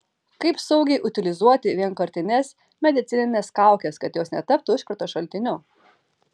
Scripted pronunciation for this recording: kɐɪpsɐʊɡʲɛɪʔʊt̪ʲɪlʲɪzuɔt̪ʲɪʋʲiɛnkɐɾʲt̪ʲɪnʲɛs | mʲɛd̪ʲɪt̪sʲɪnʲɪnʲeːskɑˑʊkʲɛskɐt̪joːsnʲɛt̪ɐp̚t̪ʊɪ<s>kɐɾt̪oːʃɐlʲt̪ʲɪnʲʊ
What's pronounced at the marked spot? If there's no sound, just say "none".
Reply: ʃ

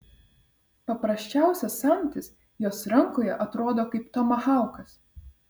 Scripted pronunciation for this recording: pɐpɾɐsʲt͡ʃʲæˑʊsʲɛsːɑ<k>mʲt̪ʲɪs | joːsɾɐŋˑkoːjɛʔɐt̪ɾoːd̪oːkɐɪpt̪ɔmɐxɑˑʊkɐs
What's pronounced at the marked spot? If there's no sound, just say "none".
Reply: none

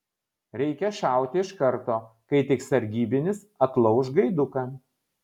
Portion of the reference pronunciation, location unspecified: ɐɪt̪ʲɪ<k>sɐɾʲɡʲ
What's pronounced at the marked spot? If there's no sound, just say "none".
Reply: k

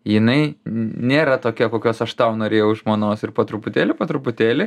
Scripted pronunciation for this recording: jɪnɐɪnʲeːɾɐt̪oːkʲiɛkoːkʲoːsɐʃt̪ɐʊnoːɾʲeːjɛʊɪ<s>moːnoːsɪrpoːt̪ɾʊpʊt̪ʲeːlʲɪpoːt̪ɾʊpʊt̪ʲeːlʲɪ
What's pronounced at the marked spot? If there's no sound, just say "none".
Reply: ʃ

